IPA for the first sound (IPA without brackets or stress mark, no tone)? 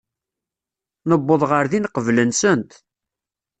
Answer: n